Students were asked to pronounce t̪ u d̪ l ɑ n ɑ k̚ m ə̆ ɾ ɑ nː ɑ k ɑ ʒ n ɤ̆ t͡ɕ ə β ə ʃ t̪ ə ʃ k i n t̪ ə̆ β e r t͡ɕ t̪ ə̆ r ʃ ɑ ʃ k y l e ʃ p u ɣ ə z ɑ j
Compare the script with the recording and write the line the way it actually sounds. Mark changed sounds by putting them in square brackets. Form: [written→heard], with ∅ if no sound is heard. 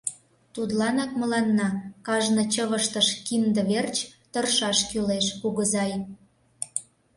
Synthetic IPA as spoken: t̪ u d̪ l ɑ n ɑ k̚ m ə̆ [ɾ→l] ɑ nː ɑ k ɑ ʒ n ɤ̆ t͡ɕ ə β ə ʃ t̪ ə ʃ k i n [t̪→d̪] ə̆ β e r t͡ɕ t̪ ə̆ r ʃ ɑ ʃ k y l e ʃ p u ɣ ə z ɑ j